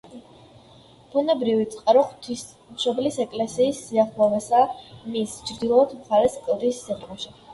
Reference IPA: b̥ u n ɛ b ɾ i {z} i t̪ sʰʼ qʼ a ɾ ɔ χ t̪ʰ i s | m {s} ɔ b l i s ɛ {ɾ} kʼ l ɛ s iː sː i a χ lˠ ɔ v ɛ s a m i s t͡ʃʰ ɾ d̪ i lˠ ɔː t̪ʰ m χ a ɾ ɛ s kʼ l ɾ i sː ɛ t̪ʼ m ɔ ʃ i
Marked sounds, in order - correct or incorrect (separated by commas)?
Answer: incorrect, incorrect, incorrect